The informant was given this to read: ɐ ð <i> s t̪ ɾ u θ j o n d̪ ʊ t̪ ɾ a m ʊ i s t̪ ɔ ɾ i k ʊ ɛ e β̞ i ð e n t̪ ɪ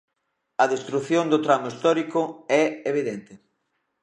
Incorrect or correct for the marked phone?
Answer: incorrect: e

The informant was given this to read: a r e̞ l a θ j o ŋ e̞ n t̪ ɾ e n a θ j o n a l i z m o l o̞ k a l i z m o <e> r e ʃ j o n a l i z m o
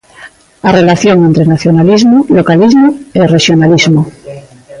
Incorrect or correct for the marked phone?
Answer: correct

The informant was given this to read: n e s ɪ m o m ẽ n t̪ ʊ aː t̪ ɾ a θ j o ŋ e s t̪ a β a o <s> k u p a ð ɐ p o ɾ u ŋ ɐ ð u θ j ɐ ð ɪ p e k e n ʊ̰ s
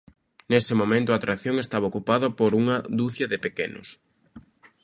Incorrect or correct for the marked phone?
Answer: incorrect: none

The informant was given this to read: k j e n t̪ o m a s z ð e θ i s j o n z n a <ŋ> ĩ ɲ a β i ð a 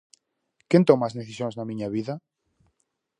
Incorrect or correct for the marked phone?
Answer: incorrect: m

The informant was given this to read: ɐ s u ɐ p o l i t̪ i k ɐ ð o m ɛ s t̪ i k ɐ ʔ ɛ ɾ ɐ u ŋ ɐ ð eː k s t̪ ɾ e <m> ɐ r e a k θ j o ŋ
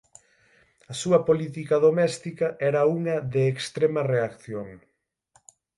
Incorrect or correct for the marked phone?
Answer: correct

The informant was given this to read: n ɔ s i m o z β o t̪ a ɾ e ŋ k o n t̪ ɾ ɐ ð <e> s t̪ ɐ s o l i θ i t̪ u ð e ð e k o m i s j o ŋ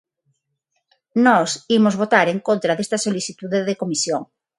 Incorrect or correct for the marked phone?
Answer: correct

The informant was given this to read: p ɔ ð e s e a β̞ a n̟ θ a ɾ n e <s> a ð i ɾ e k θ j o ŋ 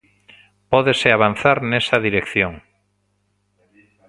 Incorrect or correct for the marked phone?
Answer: correct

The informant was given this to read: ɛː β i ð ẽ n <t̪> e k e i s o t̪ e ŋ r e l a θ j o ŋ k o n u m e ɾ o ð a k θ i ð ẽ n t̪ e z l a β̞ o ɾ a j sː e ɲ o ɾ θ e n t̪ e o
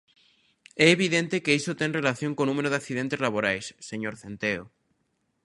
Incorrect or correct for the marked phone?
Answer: correct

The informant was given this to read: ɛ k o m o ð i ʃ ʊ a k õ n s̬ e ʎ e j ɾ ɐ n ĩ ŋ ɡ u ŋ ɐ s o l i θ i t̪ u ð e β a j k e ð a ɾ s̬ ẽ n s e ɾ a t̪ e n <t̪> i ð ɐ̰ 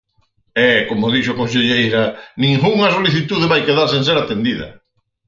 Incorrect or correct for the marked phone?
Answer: incorrect: d̪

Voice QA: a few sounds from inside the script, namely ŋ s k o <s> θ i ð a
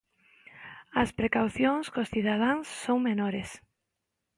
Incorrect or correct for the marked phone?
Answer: correct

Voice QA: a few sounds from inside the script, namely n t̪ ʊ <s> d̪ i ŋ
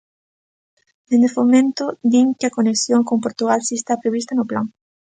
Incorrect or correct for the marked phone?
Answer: incorrect: none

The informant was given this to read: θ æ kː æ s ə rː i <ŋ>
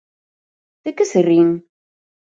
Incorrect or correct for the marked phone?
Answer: incorrect: n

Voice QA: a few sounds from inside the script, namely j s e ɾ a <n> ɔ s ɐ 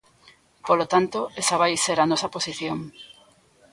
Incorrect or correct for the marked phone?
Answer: correct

